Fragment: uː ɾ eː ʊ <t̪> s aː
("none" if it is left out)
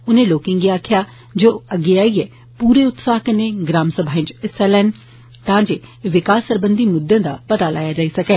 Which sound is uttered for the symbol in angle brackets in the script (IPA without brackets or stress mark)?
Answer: t̪